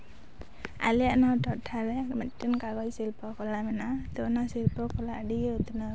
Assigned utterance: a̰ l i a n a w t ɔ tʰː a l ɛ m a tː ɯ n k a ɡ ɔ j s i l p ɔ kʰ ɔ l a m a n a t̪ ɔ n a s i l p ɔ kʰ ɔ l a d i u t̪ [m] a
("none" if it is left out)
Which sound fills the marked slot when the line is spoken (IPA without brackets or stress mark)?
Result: n